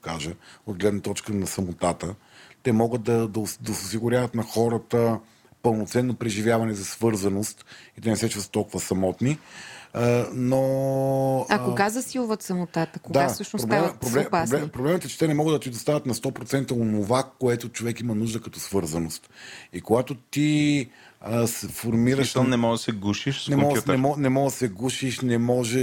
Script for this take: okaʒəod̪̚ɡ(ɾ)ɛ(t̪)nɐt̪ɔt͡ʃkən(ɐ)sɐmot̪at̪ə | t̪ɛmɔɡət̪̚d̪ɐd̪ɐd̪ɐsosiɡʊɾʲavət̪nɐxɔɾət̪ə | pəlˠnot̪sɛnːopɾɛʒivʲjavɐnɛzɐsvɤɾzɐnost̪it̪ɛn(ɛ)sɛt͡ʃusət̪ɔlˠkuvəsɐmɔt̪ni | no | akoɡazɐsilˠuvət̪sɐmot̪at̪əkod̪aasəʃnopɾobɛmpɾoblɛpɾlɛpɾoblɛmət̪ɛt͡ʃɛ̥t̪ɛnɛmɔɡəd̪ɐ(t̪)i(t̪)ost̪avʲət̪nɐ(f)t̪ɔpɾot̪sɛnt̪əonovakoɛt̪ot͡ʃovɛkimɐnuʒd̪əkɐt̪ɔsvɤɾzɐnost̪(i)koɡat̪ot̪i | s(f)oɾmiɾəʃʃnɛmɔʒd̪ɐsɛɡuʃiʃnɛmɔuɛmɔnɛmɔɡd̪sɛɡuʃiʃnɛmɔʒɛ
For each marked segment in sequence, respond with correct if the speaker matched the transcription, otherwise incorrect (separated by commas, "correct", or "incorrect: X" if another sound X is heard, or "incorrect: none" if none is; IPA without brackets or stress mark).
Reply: incorrect: l, incorrect: d̪, correct, correct, correct, incorrect: d̪, incorrect: s, correct, correct